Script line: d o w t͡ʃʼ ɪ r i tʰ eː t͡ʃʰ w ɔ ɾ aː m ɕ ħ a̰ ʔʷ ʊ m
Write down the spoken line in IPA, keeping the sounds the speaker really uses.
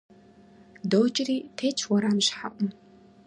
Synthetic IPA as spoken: d o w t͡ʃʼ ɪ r iː tʰ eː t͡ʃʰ w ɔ ɾ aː m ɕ ħ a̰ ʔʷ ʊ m